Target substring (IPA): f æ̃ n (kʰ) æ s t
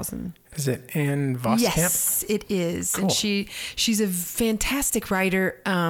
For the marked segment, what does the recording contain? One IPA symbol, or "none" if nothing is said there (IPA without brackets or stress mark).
tʰ